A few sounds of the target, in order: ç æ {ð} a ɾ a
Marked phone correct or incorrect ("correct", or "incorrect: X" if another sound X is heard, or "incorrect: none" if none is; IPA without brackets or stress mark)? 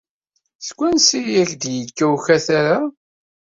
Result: incorrect: θ